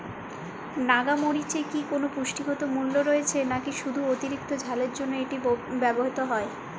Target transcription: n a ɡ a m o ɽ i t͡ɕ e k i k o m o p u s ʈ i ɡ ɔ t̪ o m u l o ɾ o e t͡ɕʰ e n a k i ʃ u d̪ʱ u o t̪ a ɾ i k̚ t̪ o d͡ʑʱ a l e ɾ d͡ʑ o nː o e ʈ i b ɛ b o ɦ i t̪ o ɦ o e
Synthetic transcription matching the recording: n a ɡ a m o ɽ i t͡ɕ e k i k o n o p u ʃ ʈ i ɡ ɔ t̪ o m u lː o ɾ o e t͡ɕʰ e n a k i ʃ u d̪ʱ u o t̪ i ɾ i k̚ t̪ o d͡ʑʱ a l e ɾ d͡ʑ o nː o e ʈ i b ɛ b o ɦ i t̪ o ɦ ɔ e